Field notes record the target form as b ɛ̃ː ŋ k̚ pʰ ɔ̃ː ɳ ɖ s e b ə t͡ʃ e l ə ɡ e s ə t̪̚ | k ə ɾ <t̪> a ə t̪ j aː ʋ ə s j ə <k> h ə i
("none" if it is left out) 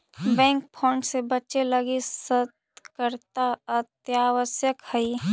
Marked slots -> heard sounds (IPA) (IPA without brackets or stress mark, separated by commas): t̪, k